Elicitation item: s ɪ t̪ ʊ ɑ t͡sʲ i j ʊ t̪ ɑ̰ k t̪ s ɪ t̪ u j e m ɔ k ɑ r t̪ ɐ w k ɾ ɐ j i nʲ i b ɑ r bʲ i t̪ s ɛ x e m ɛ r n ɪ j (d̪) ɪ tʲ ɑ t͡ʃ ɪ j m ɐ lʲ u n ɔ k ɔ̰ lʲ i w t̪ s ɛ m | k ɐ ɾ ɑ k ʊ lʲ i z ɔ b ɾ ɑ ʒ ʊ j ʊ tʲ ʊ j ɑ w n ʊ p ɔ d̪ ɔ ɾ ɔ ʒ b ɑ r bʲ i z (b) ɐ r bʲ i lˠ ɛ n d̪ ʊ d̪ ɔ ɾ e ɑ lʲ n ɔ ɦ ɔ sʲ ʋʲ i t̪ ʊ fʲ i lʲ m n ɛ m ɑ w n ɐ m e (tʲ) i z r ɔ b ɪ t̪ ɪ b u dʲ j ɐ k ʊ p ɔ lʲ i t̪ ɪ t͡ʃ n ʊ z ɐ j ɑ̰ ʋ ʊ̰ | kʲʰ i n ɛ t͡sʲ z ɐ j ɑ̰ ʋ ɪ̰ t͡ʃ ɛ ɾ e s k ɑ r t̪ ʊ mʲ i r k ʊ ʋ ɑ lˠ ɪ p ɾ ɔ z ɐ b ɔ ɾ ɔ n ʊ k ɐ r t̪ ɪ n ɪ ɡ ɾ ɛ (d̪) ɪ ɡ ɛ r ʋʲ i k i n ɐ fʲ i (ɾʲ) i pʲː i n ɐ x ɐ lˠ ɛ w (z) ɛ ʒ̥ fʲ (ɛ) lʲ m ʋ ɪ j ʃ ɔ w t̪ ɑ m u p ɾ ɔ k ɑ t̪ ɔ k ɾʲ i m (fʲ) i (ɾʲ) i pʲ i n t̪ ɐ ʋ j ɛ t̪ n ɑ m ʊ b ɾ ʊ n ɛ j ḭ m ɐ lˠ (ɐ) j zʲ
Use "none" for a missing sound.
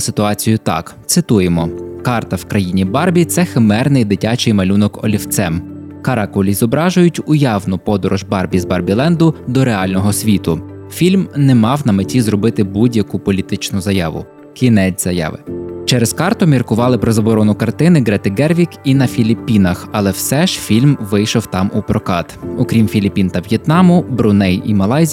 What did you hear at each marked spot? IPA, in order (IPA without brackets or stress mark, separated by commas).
d̪, b, tʲ, t̪, lʲ, s, i, fʲ, lʲ, ɑ